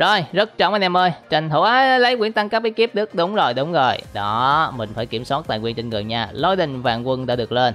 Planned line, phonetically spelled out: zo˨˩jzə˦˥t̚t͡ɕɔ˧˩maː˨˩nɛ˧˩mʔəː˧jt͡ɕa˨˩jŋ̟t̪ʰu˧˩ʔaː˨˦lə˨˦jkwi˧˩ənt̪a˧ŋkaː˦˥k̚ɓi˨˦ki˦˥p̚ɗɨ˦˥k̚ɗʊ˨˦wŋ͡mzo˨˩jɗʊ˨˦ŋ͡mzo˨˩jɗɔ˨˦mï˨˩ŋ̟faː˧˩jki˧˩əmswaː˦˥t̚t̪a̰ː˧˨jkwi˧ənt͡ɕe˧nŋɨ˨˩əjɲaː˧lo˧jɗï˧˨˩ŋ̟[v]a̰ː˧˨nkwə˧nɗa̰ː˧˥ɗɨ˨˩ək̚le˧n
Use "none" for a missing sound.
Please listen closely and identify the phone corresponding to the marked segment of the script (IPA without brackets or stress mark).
v